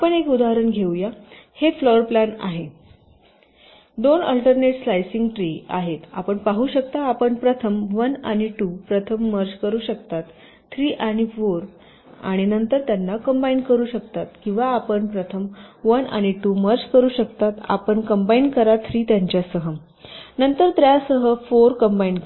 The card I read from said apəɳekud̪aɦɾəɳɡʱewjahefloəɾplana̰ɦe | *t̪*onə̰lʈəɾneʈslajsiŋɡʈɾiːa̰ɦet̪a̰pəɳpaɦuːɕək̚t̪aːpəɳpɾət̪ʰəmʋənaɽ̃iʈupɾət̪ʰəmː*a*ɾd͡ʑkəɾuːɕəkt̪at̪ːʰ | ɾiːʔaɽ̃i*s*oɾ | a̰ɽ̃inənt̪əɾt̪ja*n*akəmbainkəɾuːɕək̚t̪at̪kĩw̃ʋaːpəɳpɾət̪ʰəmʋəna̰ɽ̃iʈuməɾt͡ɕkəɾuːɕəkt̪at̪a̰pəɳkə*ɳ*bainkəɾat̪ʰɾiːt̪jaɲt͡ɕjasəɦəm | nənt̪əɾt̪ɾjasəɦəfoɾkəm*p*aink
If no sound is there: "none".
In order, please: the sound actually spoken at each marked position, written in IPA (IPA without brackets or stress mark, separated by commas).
d̪, ə, f, nː, m, b